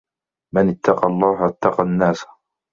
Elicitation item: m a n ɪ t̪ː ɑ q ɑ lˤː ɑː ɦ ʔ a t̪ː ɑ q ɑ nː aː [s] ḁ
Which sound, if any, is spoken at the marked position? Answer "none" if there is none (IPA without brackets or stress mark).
s